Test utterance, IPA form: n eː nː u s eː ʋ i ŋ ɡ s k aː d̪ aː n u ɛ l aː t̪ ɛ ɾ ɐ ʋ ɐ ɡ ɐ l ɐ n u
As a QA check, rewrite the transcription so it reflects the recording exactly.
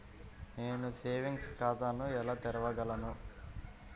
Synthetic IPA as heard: n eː n u s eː ʋ i ŋ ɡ s k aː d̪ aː n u ɛ l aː t̪ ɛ ɾ ɐ ʋ ɐ ɡ ɐ l ɐ n u